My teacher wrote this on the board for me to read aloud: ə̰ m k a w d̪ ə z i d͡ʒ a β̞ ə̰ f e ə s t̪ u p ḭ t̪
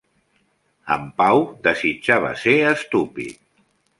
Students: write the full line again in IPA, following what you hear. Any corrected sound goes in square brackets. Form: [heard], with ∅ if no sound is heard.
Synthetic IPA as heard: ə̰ m [p] a w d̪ ə z i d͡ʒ a β̞ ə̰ [s] e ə s t̪ u p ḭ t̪